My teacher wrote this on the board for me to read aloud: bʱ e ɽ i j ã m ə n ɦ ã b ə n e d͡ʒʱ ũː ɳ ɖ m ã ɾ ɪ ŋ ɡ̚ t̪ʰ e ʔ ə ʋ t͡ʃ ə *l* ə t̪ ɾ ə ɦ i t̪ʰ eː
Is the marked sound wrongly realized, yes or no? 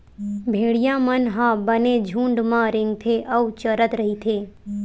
yes